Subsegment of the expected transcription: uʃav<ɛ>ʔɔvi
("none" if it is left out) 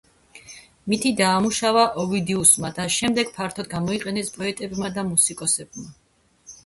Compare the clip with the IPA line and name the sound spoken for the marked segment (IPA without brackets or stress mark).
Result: a